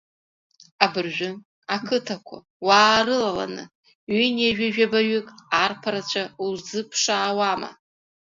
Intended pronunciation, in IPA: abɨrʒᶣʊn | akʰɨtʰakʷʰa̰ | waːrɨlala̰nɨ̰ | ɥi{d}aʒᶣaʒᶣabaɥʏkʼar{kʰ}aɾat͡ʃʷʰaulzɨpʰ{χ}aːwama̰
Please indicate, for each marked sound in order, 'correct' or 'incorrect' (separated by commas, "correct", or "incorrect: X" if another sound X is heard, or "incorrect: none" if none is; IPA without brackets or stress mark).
incorrect: n, incorrect: pʰ, incorrect: ʂ